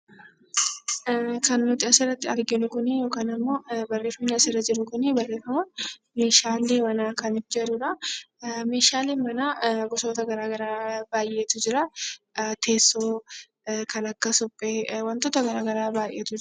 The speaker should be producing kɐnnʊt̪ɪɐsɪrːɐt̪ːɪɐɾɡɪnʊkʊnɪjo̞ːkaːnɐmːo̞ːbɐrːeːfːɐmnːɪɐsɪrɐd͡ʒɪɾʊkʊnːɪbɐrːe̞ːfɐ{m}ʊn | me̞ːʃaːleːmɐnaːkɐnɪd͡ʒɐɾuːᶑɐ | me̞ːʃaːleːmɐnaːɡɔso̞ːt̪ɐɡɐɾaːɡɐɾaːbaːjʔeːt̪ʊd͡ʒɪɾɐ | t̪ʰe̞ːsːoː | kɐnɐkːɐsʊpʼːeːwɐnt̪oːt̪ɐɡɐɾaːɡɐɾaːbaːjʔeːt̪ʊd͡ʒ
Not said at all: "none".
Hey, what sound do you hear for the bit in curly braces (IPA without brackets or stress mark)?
m